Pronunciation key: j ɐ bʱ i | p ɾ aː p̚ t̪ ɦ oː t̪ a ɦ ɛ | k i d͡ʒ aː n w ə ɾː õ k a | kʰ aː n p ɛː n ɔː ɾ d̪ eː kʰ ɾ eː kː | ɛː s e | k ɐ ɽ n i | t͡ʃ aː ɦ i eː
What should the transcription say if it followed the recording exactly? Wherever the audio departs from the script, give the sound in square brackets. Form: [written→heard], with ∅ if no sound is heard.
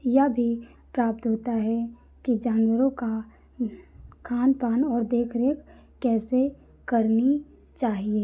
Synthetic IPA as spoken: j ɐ bʱ i | p ɾ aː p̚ t̪ ɦ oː t̪ a ɦ ɛ | k i d͡ʒ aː n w ə [ɾː→ɾ] õ k a | kʰ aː n p [ɛː→aː] n ɔː ɾ d̪ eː kʰ ɾ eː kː | ɛː s e | k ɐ [ɽ→ɾ] n i | t͡ʃ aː ɦ i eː